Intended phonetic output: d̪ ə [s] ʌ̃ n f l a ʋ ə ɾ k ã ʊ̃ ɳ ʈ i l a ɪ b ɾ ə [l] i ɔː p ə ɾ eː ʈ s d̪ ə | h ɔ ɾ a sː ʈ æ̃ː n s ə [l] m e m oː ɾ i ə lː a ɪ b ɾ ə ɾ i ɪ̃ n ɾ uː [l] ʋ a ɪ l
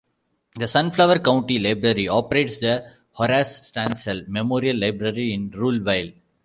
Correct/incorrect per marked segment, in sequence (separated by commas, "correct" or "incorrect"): correct, incorrect, correct, correct